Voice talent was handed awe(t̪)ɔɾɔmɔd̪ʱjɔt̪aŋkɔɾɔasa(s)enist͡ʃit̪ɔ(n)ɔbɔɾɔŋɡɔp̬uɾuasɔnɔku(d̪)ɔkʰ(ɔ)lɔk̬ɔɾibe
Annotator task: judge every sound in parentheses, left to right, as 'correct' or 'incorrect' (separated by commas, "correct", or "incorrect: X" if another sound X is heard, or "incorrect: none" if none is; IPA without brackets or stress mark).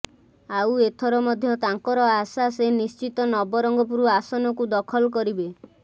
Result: incorrect: t̪ʰ, correct, correct, correct, correct